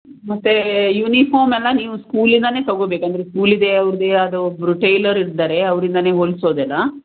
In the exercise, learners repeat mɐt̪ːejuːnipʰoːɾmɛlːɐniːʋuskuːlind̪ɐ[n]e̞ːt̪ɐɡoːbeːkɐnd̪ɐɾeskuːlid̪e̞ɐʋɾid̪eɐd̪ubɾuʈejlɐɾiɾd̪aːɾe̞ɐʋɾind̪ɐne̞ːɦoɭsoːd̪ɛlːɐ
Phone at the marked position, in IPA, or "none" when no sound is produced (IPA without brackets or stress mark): n